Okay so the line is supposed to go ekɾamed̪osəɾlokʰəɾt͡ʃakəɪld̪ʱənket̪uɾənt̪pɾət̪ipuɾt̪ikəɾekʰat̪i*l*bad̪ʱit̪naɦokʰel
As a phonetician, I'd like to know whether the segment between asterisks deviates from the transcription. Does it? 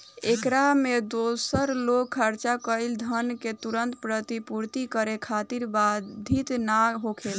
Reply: yes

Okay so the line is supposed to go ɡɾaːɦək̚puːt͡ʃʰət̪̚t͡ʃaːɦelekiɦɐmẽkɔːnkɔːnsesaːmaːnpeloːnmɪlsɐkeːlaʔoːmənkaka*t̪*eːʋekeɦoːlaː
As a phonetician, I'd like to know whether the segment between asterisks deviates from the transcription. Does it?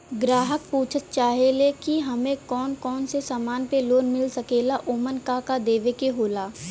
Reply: yes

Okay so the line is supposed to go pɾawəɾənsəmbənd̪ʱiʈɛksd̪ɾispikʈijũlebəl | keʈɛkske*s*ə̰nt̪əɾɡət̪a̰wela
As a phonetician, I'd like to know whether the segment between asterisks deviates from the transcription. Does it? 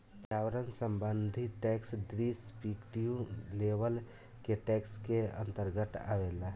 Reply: yes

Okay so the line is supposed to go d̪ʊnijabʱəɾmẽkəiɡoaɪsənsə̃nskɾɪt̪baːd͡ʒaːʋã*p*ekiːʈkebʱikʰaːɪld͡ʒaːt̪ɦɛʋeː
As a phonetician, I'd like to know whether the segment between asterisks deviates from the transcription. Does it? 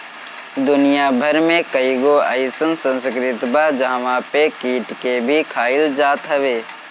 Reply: no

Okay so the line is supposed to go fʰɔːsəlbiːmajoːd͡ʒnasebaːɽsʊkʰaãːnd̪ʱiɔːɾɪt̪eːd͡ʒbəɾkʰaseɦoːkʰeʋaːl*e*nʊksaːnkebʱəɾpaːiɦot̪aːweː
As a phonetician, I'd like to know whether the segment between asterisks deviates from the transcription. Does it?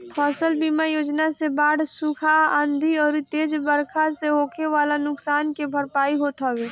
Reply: yes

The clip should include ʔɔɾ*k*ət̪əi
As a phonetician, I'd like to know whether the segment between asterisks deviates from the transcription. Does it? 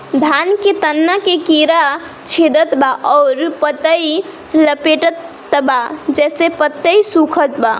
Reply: yes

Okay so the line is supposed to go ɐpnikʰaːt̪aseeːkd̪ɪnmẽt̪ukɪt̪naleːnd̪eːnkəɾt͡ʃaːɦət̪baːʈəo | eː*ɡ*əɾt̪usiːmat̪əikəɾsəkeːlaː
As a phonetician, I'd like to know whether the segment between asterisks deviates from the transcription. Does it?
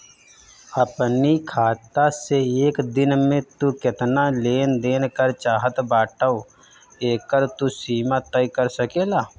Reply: yes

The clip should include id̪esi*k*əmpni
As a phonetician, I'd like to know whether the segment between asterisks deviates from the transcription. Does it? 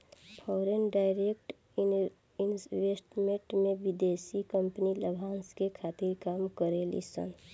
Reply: no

